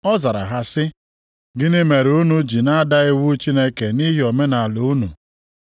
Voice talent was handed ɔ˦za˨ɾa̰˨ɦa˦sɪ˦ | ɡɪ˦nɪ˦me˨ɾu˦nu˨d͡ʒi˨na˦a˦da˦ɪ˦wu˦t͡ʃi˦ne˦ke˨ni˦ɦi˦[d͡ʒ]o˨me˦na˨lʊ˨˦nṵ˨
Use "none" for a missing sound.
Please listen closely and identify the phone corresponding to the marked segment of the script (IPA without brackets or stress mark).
none